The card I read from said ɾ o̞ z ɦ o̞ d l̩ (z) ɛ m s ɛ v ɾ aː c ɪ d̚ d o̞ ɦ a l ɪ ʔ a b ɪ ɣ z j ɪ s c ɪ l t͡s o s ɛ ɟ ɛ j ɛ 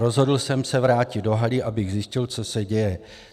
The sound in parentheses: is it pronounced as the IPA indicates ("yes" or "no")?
no